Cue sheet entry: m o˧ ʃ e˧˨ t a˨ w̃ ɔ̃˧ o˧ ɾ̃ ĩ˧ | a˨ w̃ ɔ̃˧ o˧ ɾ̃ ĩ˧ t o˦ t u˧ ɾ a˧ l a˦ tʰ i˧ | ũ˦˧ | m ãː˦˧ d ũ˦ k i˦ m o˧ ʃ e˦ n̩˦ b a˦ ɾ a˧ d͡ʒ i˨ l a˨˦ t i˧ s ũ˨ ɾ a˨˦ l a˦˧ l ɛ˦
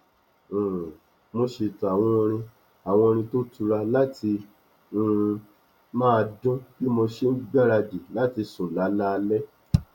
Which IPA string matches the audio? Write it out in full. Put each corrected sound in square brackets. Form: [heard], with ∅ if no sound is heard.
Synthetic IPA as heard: m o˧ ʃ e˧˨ t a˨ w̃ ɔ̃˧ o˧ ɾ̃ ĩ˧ | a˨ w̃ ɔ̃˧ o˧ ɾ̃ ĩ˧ t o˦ t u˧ ɾ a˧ l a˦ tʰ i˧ | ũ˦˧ | m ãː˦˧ d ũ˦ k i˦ m o˧ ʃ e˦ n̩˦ [ɡ͡b] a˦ ɾ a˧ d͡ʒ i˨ l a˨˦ t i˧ s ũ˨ [l] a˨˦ l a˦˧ l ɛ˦